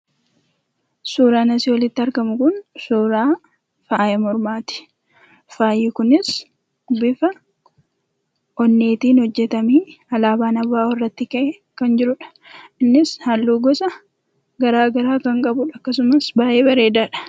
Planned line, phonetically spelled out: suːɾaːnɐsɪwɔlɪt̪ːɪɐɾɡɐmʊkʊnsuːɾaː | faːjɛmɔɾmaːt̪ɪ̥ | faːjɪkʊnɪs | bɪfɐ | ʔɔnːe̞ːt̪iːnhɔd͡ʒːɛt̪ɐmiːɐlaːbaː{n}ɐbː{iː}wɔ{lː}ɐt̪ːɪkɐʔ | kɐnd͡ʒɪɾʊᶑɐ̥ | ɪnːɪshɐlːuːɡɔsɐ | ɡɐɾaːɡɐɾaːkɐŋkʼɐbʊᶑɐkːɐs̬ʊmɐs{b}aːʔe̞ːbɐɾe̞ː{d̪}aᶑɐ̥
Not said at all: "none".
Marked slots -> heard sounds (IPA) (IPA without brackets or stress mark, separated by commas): n, aː, rː, b, d̪